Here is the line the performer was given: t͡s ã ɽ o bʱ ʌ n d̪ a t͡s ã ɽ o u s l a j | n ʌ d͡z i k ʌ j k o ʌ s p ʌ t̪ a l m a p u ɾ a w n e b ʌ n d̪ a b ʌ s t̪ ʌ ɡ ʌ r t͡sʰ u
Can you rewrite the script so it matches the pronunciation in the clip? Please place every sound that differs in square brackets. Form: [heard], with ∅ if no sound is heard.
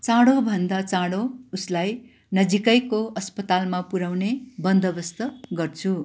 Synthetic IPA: t͡s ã ɽ o bʱ ʌ n d̪ a t͡s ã ɽ o u s l a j | n ʌ d͡z i k ʌ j k o ʌ s p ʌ t̪ a l m a p u ɾ a w n e b ʌ n d̪ [ʌ] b ʌ s t̪ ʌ ɡ ʌ r t͡sʰ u